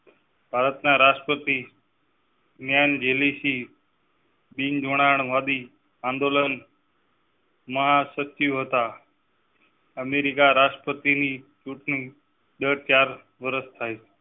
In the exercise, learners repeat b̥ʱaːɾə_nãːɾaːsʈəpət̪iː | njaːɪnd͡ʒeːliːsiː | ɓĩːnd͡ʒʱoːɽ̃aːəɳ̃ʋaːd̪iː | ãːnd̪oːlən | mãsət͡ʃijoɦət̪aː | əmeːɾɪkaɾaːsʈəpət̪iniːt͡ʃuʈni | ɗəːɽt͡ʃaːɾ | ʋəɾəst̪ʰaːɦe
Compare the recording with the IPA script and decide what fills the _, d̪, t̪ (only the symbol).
t̪